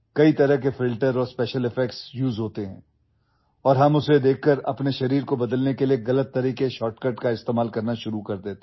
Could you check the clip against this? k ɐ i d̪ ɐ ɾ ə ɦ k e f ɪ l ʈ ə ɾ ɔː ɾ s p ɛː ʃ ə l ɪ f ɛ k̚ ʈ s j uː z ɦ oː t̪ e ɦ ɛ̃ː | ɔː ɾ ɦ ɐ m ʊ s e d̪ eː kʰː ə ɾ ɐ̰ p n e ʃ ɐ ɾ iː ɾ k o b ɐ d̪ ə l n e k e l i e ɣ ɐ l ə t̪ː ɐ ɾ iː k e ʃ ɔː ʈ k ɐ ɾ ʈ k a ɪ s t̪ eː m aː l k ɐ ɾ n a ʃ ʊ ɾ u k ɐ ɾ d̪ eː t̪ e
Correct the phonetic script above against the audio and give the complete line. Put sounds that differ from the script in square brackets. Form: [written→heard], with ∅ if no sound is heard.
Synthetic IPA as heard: k ɐ i [d̪→t̪] ɐ ɾ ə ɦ k e f ɪ l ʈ ə ɾ ɔː ɾ s p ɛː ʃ ə l ɪ f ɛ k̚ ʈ s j uː z ɦ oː t̪ e ɦ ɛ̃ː | ɔː ɾ ɦ ɐ m ʊ s e d̪ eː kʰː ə ɾ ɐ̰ p n e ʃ ɐ ɾ iː ɾ k o b ɐ d̪ ə l n e k e l i e ɣ ɐ l ə t̪ː ɐ ɾ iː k e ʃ ɔː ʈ k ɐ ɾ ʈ k a ɪ s t̪ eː m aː l k ɐ ɾ n a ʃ ʊ ɾ u k ɐ ɾ d̪ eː t̪ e